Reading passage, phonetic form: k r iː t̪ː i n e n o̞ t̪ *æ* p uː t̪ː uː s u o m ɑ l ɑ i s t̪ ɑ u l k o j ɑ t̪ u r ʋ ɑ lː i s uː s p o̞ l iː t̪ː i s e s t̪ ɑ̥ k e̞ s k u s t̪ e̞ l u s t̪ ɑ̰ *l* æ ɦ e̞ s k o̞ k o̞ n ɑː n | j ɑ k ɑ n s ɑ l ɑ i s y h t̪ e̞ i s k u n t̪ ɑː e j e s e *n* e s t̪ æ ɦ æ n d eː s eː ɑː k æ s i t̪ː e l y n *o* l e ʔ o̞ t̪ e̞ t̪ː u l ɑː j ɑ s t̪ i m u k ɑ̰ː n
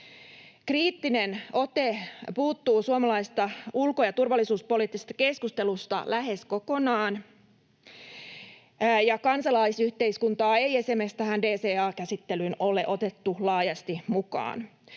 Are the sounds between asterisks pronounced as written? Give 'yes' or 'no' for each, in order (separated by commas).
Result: no, yes, no, yes